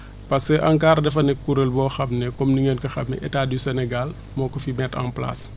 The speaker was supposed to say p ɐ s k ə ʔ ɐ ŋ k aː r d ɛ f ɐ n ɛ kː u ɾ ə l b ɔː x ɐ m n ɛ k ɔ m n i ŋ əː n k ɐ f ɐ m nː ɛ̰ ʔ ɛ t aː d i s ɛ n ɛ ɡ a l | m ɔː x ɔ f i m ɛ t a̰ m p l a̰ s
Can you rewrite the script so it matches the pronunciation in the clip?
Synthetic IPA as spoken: p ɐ s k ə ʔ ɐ ŋ k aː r d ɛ f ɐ n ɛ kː u ɾ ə l b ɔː x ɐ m n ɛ k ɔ m n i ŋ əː n k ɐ x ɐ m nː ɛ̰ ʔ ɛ t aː d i s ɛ n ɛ ɡ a l | m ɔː k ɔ f i m ɛ t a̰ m p l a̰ s